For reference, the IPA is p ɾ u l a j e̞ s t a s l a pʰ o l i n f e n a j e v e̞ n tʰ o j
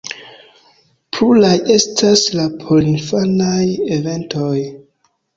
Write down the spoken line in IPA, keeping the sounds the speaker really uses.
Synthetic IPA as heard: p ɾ u l a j e̞ s t a s l a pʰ o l i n f a n a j e v e̞ n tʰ o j